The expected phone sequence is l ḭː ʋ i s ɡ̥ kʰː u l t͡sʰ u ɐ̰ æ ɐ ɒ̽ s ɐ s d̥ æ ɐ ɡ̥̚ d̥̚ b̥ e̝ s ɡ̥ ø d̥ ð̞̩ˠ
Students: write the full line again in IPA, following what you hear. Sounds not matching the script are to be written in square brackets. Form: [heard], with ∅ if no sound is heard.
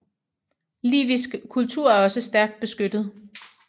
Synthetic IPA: l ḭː ʋ i s ɡ̥ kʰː u l t͡sʰ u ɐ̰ æ ɐ ɒ̽ s [ə] s d̥ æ ɐ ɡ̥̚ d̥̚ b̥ e̝ s ɡ̥ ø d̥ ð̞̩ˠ

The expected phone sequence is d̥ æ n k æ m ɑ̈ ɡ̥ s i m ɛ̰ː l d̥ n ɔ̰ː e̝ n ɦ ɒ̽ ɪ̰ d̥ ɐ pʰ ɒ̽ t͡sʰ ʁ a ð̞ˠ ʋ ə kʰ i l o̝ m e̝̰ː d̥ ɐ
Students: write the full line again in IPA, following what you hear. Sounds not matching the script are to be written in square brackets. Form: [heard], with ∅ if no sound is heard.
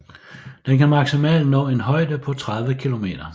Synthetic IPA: d̥ [e] n k æ m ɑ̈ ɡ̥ s i m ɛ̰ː l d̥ n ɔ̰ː e̝ n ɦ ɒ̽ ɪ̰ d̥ [ə] pʰ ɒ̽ t͡sʰ ʁ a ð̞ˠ ʋ ə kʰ i l o̝ m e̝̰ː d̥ ɐ

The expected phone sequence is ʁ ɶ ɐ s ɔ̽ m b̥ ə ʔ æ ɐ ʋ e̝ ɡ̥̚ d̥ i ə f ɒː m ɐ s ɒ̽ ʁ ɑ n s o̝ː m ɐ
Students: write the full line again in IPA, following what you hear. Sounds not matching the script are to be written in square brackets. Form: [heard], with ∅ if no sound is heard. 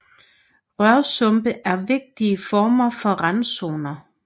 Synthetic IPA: ʁ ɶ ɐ s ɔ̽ m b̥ ə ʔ æ ɐ ʋ e̝ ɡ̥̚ d̥ i ə f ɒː m ɐ [f] ɒ̽ ʁ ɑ n s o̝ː [n] ɐ

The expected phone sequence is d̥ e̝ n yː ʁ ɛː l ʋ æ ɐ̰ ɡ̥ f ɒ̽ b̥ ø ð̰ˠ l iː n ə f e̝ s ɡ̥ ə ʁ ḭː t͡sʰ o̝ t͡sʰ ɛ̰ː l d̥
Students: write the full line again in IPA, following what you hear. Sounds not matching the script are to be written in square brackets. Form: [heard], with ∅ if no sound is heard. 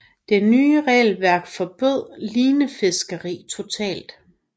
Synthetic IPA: d̥ e̝ n yː ʁ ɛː l ʋ æ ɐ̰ ɡ̥ f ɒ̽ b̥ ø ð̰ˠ l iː n ə f e̝ s ɡ̥ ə ʁ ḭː t͡sʰ o̝ t͡sʰ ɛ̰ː l d̥

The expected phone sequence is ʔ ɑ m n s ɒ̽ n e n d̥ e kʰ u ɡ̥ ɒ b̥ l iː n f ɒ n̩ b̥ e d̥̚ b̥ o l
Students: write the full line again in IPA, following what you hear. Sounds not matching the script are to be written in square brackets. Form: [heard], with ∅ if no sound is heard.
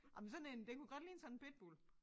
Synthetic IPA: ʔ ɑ m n s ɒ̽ n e n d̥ e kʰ u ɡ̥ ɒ [d̥] l iː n [s] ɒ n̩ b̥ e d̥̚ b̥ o l

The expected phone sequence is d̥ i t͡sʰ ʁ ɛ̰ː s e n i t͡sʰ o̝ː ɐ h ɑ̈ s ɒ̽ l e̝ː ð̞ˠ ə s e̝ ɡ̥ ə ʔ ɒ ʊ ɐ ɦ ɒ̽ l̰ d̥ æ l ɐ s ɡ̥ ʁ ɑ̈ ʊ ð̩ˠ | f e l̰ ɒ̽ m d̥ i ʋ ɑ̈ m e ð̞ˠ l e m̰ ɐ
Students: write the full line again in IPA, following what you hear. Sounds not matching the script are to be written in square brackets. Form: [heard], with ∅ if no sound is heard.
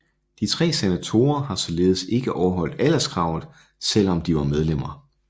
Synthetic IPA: d̥ i t͡sʰ ʁ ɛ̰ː s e n [æ] t͡sʰ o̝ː ɐ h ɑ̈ s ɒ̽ l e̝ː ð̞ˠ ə s e̝ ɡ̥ ə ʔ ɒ ʊ ɐ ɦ ɒ̽ l̰ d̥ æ l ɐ s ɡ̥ ʁ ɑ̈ ʊ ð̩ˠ | [s] e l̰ ɒ̽ m d̥ i ʋ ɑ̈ m e ð̞ˠ l e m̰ ɐ

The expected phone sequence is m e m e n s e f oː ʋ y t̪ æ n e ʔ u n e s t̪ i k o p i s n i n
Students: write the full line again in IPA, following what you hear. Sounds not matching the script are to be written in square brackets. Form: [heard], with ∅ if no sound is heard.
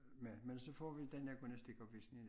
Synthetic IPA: m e m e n s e f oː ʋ [i] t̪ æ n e [k] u n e s t̪ i k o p i s n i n

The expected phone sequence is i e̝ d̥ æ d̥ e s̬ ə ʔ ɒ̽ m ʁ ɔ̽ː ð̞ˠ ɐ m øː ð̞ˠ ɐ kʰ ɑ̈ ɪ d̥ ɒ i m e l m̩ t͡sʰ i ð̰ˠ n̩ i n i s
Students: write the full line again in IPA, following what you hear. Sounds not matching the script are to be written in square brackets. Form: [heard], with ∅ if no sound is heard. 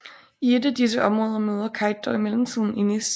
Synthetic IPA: i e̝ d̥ æ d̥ [i] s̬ ə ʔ ɒ̽ m ʁ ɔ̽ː ð̞ˠ ɐ m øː ð̞ˠ ɐ kʰ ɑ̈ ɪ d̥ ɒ i m e l m̩ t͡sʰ i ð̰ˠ n̩ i n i s

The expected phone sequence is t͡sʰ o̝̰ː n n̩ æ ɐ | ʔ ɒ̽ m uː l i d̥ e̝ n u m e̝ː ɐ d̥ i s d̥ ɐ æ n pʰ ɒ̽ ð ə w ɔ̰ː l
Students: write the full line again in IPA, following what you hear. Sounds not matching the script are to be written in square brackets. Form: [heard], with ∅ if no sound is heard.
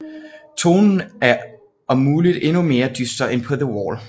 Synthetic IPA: t͡sʰ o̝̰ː n n̩ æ ɐ | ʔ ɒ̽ m uː l i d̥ e̝ n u m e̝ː ɐ d̥ [y] s d̥ ɐ [e] n pʰ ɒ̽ ð ə w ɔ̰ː l

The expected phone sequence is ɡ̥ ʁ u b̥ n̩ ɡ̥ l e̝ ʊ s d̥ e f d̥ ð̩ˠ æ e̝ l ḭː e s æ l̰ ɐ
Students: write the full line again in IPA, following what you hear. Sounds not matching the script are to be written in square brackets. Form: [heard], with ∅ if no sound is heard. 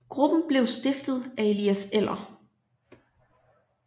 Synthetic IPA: ɡ̥ ʁ u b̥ n̩ [b̥] l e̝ ʊ s d̥ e f d̥ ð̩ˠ æ e̝ l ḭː [æ] s [e] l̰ ɐ

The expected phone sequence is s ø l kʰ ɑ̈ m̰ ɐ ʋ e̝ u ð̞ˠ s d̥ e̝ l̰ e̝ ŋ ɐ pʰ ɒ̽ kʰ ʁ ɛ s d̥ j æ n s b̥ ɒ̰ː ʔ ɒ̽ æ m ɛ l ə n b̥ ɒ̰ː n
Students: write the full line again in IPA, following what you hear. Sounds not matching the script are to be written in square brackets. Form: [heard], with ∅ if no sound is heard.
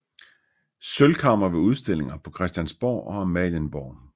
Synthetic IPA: s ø l kʰ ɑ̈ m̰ ɐ ʋ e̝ u ð̞ˠ s d̥ e̝ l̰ e̝ ŋ ɐ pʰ ɒ̽ kʰ ʁ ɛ s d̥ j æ n s b̥ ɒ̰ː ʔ ɒ̽ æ m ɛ l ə n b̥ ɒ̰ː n

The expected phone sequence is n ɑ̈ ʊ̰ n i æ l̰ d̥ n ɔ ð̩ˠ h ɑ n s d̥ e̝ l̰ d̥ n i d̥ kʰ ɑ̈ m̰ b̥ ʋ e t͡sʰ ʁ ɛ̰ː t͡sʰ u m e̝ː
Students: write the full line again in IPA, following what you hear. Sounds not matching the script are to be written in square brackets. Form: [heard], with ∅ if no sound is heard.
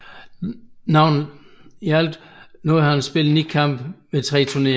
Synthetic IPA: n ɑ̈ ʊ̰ n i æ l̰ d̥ n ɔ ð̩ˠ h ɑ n s [b̥] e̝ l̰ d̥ n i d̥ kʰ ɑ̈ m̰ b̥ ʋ e t͡sʰ ʁ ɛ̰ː t͡sʰ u [n] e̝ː

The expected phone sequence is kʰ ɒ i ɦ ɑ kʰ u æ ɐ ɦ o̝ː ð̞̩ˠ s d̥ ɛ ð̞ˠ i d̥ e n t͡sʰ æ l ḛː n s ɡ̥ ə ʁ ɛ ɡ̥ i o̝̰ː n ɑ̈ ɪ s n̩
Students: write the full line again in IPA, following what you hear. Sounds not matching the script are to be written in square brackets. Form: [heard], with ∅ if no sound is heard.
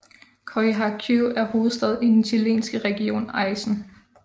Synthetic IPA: kʰ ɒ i ɦ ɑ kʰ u æ ɐ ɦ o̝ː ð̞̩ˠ s d̥ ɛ ð̞ˠ i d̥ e n t͡sʰ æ l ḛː n s ɡ̥ ə ʁ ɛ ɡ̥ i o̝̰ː n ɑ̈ ɪ s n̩

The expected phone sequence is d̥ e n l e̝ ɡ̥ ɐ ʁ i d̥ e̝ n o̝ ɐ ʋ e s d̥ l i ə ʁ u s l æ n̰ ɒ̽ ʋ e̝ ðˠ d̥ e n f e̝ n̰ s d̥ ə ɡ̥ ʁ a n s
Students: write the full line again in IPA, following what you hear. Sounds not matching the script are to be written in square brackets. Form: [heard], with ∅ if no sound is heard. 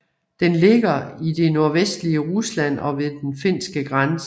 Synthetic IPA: d̥ e n l e̝ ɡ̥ ɐ [∅] i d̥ e̝ n o̝ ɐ ʋ e s d̥ l i ə ʁ u s l æ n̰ ɒ̽ ʋ e̝ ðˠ d̥ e n f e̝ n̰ s [ɡ̥] ə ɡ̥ ʁ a n s

